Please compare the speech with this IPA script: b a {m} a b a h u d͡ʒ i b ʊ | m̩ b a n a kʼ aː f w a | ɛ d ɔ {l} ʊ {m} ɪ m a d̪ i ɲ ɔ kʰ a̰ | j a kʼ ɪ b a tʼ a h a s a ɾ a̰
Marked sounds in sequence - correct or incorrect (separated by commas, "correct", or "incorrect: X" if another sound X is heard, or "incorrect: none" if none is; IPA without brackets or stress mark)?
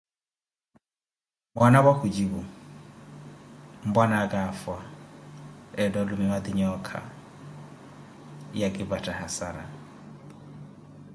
incorrect: n, correct, correct